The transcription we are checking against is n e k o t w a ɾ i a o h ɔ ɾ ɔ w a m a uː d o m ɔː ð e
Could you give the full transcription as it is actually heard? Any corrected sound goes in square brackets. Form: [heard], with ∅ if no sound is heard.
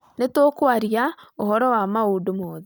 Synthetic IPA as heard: n e [t] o [k] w a ɾ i a o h ɔ ɾ ɔ w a m a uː d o m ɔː ð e